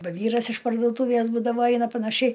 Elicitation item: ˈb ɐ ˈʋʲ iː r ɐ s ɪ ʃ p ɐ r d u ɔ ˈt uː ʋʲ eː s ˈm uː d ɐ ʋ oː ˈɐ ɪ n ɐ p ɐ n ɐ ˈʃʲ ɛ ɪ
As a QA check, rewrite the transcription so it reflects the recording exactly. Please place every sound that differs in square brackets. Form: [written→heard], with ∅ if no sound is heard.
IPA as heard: ˈb ɐ ˈʋʲ iː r ɐ s ɪ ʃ p ɐ r d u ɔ ˈt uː ʋʲ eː s [ˈm→ˈb] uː d ɐ ʋ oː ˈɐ ɪ n ɐ p ɐ n ɐ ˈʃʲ ɛ ɪ